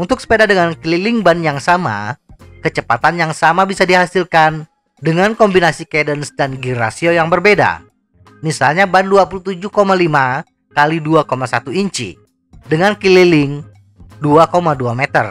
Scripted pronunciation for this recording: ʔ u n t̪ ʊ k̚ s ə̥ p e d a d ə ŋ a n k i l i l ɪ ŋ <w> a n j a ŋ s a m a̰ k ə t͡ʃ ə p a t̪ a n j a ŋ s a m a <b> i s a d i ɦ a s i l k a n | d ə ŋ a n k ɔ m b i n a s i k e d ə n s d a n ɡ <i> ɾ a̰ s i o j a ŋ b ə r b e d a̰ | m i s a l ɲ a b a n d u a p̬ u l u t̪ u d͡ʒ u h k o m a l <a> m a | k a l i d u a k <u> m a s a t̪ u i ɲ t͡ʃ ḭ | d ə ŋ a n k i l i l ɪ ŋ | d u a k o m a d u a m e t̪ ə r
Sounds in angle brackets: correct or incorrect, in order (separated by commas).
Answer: incorrect, correct, correct, incorrect, incorrect